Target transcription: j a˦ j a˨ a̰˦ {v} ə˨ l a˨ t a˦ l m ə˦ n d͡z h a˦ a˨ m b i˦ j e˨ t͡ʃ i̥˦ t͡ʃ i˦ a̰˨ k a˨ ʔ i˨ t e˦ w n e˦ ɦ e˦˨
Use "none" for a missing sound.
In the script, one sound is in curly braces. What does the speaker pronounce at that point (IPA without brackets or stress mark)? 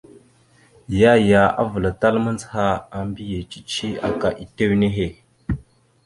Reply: v